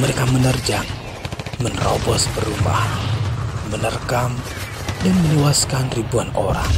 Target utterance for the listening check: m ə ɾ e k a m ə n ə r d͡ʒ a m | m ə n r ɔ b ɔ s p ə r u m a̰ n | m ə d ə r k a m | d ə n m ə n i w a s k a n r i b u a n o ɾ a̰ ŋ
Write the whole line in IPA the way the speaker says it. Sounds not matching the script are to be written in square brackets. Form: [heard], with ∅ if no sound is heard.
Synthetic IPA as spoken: m ə ɾ e k a m ə n ə r d͡ʒ a [ŋ] | m ə n r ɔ b ɔ s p ə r u m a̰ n | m ə [n] ə r k a m | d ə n m ə n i w a s k a n r i b u a n o ɾ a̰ ŋ

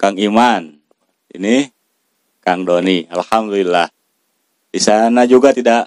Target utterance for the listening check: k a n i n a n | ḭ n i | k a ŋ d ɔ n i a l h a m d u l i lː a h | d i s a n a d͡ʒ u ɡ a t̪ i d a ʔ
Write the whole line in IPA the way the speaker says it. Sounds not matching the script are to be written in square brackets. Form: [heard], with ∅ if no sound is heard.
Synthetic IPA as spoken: k a [ŋ] i [m] a n | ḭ n i | k a ŋ d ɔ n i a l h a m d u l i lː a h | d i s a n a d͡ʒ u ɡ a t̪ i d a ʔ

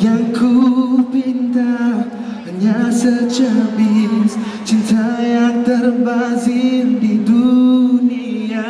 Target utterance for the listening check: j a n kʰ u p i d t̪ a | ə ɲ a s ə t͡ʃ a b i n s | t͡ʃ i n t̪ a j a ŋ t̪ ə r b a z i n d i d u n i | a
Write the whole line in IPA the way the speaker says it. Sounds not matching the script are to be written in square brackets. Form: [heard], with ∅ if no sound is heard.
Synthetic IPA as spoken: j a [ŋ] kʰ u p i [n] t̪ a | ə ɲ a s ə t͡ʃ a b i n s | t͡ʃ i n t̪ a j a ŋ t̪ ə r b a z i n d i d u n i | a

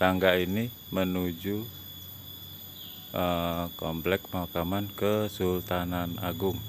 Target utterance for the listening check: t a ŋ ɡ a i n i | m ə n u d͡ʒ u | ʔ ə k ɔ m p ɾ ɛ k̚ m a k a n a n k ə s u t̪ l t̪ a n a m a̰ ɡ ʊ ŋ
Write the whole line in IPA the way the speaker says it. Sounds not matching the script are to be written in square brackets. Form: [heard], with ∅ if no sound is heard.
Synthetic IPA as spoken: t a ŋ ɡ a i n i | m ə n u d͡ʒ u | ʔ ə k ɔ m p [l] ɛ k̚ m a k a [m] a n k ə s u [∅] l t̪ a n a [n] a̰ ɡ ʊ ŋ

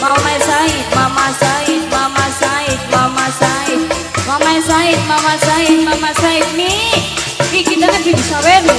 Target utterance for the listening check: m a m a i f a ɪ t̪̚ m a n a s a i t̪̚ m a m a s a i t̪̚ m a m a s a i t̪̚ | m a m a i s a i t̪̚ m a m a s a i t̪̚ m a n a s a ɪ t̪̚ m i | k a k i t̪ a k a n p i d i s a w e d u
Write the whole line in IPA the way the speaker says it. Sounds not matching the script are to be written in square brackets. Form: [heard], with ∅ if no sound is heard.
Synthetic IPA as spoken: m a m a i [s] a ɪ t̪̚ m a [m] a s a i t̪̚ m a m a s a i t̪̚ m a m a s a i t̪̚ | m a m a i s a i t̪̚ m a m a s a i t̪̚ m a [m] a s a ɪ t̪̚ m i | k [i] k i t̪ a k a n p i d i s a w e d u

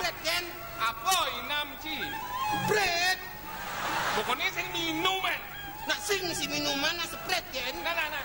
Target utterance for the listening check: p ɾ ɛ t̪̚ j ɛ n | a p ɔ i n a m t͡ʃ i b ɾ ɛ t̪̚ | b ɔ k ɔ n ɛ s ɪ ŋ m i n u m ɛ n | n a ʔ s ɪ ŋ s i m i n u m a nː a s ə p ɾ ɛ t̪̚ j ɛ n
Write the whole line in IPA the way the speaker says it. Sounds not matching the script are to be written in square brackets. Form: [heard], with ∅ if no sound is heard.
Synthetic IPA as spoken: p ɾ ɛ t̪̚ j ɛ n | a p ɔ i n a m t͡ʃ i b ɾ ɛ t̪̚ | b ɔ k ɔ n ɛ s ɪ ŋ m i n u m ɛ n | n a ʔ s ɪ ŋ s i m i n u m a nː a s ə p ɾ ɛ t̪̚ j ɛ n

